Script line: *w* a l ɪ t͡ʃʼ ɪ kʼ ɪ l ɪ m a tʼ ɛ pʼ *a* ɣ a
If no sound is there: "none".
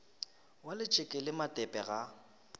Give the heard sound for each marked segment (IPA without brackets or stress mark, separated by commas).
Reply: w, ɛ